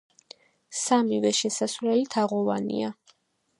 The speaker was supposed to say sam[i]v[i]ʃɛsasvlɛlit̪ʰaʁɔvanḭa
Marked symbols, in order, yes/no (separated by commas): yes, no